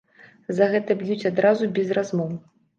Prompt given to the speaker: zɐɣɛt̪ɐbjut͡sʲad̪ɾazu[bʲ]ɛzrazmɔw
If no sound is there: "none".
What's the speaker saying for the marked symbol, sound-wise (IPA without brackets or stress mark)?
bʲ